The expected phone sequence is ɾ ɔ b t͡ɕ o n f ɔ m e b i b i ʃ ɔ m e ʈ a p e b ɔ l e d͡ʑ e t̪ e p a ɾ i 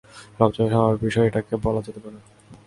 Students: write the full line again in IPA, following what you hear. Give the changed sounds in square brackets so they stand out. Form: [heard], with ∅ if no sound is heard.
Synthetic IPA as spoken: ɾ ɔ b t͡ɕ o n [ʃ] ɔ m [a] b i b i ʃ ɔ [∅] e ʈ a [k] e b ɔ l [a] d͡ʑ e t̪ e p a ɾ [e]